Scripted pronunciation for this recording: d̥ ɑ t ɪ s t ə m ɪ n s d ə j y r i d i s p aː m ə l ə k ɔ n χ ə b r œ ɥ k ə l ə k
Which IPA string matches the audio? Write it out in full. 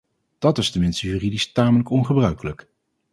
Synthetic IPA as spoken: d̥ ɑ t ɪ s t ə m ɪ n s t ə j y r i d i s t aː m ə l ə k ɔ n χ ə b r œ ɥ k ə l ə k